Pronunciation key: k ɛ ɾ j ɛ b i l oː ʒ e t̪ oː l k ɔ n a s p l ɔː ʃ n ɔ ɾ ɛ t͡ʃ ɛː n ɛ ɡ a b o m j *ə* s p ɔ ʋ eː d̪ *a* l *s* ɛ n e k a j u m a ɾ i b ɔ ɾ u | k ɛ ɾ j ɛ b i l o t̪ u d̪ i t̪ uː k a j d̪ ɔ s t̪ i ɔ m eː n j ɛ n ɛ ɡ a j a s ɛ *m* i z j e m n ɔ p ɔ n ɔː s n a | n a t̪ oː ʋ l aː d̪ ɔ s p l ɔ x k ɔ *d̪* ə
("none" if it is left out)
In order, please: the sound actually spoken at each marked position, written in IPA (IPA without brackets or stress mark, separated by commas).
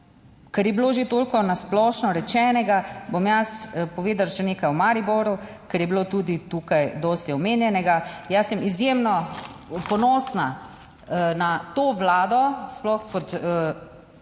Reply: a, a, ʃ, m, t̪